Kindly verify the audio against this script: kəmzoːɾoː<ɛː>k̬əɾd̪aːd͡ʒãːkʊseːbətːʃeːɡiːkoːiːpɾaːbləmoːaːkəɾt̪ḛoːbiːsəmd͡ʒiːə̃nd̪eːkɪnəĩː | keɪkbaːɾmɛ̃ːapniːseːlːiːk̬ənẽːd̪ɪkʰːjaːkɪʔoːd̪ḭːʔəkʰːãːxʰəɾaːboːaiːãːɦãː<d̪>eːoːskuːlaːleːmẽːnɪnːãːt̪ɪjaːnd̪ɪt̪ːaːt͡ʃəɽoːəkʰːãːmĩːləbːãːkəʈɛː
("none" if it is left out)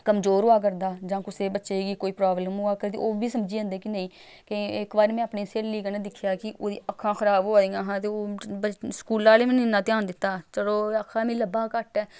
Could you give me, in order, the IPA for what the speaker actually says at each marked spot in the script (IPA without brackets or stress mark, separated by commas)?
aː, t̪